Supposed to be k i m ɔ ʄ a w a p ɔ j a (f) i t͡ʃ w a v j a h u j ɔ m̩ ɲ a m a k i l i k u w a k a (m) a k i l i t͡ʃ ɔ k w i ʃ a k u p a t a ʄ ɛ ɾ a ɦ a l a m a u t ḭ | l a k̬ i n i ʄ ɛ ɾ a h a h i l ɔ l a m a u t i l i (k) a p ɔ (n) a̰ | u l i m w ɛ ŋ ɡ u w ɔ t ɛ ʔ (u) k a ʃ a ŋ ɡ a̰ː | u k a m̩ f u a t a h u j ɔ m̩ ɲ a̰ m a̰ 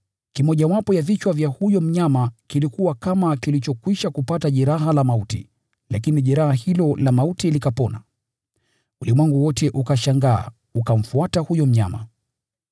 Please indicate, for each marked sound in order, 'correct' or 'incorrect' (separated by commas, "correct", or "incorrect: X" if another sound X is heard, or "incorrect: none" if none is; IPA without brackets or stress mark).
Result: incorrect: v, correct, correct, correct, correct